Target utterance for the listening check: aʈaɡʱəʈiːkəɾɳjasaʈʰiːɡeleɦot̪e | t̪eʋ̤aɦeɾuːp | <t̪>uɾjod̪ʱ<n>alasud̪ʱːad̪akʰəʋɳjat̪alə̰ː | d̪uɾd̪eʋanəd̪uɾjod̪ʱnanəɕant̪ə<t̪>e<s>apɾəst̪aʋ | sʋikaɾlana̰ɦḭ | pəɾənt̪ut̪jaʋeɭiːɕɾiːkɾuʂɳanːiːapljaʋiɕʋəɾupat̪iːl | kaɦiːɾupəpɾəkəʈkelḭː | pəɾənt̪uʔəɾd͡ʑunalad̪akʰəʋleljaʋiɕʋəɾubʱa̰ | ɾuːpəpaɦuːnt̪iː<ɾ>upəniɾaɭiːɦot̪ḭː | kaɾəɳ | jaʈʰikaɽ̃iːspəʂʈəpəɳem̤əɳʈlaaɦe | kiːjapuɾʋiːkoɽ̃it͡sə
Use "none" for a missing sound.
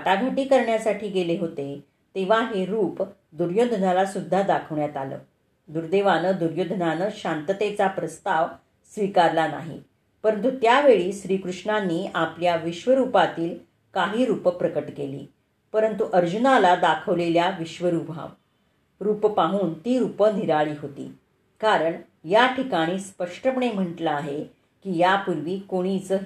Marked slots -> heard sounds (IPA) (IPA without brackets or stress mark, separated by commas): d̪, n, t̪, t͡s, ɾ